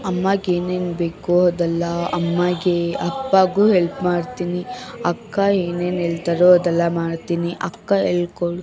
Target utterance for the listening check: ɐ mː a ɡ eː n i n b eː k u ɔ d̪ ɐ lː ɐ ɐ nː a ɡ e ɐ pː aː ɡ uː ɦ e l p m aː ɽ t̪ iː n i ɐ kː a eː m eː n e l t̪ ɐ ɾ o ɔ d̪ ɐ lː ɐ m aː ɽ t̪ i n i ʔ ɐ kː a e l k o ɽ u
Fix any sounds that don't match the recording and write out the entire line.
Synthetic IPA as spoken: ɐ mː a ɡ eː n e n b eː k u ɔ d̪ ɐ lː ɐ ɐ mː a ɡ e ɐ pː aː ɡ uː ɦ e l p m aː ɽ t̪ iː n i ɐ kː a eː n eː n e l t̪ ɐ ɾ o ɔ d̪ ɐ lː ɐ m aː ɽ t̪ i n i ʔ ɐ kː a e l k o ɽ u